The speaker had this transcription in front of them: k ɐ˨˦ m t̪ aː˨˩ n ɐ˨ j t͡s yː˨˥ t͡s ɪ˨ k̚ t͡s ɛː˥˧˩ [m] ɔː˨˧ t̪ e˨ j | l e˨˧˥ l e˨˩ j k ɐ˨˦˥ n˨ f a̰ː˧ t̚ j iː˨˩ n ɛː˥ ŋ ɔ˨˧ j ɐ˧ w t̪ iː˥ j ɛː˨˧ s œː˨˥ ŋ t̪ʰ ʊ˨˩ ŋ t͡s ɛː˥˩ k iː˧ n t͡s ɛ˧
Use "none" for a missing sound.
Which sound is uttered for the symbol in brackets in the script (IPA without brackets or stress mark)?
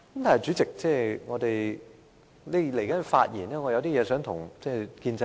ŋ